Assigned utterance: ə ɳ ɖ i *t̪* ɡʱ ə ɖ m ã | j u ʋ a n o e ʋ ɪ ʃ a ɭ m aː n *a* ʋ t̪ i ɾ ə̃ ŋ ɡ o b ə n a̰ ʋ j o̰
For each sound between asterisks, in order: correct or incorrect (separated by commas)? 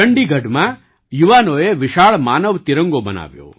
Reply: incorrect, incorrect